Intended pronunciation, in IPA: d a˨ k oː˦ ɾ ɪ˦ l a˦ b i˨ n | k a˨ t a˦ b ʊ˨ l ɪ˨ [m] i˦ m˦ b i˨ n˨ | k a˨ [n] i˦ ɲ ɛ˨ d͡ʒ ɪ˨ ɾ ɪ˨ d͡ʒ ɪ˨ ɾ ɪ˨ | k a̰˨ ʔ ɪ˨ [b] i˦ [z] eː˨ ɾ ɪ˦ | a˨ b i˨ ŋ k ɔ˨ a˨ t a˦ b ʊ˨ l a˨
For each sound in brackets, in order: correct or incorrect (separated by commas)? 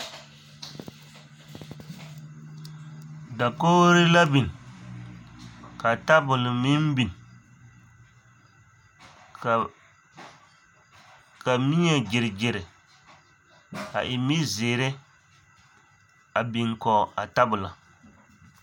correct, incorrect, incorrect, correct